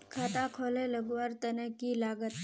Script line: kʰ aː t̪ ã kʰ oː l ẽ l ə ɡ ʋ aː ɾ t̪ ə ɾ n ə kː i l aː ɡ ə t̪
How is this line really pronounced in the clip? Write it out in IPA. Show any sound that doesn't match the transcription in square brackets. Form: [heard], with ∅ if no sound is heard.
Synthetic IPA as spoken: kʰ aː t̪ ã kʰ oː l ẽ l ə ɡ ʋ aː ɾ t̪ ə [∅] n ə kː i l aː ɡ ə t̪